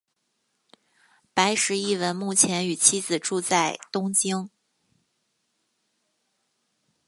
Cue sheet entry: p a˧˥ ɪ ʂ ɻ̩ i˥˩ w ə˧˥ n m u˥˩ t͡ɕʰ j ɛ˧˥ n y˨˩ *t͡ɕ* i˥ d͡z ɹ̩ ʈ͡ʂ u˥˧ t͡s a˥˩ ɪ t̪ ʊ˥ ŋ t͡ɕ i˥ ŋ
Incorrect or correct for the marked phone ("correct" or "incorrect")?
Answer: incorrect